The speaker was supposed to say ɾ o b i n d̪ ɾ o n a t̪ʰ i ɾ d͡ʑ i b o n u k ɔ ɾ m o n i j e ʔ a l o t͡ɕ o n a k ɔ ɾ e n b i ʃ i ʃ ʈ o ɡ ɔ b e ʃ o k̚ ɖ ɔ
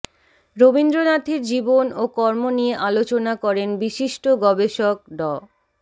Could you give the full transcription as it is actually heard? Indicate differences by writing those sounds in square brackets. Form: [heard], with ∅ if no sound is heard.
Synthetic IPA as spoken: ɾ o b i n d̪ ɾ o n a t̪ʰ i ɾ d͡ʑ i b o n [o] k ɔ ɾ m o n i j e ʔ a l o t͡ɕ o n a k ɔ ɾ e n b i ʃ i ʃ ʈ o ɡ ɔ b e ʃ o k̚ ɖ ɔ